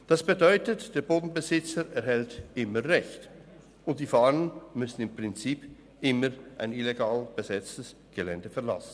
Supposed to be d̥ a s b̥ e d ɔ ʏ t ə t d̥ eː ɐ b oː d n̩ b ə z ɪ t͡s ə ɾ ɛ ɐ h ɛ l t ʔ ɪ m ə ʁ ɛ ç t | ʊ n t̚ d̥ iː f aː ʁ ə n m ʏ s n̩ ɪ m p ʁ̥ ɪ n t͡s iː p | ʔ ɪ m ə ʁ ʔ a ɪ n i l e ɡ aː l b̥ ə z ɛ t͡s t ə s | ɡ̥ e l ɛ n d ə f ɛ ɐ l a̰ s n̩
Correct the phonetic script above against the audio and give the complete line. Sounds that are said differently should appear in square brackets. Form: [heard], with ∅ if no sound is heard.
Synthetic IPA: d̥ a s b̥ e d ɔ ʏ t ə t d̥ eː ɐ b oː d n̩ b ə z ɪ t͡s ə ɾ ɛ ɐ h ɛ l t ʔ ɪ m ə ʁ ɛ ç t | ʊ n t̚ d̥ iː f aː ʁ ə n m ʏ s n̩ ɪ m p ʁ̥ ɪ n t͡s iː p | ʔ ɪ m ə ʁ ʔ a ɪ n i l e ɡ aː l b̥ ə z ɛ t͡s t ə s | ɡ̥ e l ɛ n d ə f ɛ ɐ l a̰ s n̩